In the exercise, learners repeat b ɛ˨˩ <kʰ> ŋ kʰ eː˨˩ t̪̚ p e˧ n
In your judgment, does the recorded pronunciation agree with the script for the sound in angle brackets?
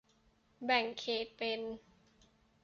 no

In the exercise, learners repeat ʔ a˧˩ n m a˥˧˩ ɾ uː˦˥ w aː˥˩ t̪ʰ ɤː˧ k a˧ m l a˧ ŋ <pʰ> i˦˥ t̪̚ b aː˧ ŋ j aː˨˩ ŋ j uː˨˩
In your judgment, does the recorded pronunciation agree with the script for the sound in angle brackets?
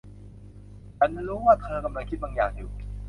no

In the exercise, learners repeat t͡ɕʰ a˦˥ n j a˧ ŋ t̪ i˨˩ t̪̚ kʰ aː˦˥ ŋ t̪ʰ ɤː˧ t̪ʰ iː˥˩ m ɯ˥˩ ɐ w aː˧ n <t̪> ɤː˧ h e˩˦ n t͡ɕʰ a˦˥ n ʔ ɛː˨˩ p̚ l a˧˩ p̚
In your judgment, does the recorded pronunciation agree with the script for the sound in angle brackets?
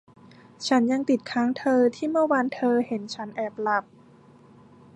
no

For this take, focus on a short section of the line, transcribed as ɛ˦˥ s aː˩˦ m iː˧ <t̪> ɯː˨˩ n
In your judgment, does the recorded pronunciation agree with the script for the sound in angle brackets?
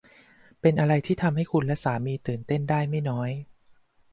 yes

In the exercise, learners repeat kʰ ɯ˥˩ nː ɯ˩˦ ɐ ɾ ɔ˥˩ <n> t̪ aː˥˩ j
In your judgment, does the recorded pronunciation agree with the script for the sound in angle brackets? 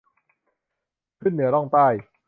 no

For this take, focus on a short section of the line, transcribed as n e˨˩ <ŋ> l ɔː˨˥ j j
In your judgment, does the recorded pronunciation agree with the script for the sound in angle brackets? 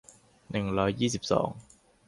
yes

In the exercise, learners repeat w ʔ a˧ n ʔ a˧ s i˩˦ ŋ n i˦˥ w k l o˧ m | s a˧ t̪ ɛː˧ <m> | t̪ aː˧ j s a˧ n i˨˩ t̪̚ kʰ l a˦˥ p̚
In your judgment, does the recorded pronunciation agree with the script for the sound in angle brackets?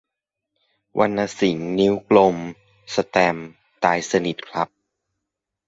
yes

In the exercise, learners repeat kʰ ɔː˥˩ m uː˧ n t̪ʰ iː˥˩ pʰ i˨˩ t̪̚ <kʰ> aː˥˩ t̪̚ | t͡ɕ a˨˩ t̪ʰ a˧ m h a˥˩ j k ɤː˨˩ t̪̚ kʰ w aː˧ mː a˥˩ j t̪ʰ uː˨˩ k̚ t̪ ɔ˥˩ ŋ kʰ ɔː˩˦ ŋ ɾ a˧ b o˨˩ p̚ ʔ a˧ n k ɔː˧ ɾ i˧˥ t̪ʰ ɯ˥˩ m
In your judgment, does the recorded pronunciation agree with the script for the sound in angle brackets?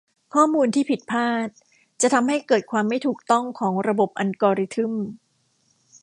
no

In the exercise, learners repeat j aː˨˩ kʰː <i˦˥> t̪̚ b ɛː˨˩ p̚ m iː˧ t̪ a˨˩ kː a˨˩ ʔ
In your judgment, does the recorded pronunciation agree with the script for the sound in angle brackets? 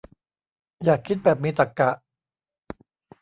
yes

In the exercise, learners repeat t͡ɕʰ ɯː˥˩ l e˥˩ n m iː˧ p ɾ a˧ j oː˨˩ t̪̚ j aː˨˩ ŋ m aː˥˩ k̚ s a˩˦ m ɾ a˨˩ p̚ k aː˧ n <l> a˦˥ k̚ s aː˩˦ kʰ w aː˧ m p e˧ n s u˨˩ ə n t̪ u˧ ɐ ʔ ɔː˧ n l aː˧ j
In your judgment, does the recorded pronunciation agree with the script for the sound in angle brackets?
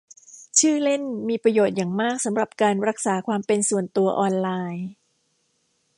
no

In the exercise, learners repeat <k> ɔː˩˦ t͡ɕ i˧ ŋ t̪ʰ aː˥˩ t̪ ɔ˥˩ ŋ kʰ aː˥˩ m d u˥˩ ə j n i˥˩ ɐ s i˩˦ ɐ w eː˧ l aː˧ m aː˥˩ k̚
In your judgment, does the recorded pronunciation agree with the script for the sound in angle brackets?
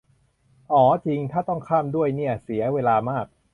no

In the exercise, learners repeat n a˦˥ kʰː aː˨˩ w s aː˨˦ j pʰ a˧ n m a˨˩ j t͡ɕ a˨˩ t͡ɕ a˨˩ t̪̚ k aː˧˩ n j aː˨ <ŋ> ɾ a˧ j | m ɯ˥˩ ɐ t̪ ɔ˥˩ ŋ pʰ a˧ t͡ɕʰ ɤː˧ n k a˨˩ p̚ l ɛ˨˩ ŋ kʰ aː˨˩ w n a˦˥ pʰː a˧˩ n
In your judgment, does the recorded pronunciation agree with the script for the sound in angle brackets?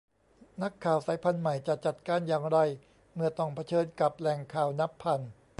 yes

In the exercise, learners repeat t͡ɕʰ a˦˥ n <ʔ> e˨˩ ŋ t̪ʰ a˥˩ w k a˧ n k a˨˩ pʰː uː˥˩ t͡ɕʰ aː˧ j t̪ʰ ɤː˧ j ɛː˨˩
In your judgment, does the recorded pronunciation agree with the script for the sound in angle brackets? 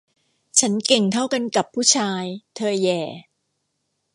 no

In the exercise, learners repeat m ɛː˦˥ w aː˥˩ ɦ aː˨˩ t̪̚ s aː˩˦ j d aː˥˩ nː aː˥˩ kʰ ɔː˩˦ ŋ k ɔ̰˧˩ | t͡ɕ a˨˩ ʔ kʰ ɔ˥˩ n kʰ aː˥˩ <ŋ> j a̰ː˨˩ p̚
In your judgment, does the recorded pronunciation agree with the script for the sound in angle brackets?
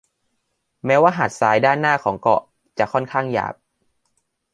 yes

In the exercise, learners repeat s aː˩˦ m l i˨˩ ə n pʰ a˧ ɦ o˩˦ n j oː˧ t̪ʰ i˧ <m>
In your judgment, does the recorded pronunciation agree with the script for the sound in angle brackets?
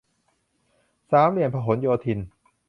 no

